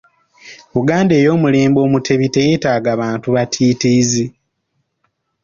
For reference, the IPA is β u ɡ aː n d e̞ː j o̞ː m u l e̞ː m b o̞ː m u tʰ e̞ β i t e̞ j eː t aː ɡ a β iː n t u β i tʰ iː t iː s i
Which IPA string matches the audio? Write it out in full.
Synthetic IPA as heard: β u ɡ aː n d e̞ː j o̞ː m u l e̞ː m b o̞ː m u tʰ e̞ β i t e̞ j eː t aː ɡ a β aː n t u β a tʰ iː t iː z i